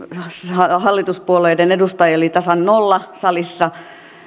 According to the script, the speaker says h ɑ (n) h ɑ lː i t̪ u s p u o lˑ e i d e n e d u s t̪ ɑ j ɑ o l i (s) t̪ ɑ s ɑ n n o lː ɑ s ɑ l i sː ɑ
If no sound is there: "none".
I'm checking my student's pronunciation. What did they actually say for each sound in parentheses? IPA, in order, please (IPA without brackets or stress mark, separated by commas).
none, none